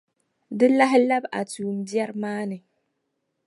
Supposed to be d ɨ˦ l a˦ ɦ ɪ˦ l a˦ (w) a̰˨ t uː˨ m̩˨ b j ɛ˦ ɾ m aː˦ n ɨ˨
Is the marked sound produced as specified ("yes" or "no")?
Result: no